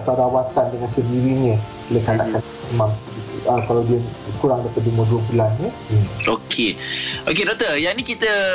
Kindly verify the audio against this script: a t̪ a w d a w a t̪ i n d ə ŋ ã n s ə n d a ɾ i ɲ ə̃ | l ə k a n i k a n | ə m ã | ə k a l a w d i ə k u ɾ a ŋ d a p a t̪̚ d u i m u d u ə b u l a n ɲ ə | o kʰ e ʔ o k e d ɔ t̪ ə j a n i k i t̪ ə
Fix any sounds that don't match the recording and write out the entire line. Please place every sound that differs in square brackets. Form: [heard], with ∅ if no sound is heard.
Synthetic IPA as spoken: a t̪ a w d a w a t̪ [a] n d ə ŋ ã n s ə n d [i] ɾ i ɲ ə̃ | l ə k a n [a] k a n | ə m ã | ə k a l a w d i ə k u ɾ a ŋ d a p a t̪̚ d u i m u d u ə b u l a n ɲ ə | o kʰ e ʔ o k e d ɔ t̪ ə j a n i k i t̪ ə